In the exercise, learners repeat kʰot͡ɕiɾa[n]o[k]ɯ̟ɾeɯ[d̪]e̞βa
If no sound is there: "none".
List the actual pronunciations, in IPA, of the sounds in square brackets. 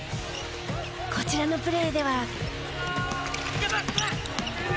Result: n, p, d̪

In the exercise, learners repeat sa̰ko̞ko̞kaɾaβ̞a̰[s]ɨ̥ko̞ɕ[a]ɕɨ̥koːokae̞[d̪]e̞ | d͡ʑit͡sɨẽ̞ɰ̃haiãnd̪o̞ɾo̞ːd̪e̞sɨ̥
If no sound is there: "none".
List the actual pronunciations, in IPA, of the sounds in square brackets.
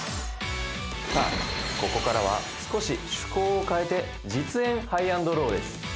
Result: s, i, t̪

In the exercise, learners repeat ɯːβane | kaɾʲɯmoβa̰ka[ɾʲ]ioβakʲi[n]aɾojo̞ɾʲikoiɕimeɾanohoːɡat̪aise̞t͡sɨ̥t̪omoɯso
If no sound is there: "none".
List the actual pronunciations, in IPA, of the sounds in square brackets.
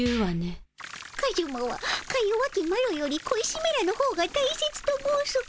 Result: none, m

